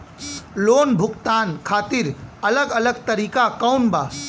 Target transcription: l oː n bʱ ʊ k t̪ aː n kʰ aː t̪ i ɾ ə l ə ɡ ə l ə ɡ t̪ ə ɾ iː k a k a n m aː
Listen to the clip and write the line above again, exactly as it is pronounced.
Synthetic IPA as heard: l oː n bʱ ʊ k t̪ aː n kʰ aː t̪ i ɾ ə l ə ɡ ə l ə ɡ t̪ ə ɾ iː k a k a n b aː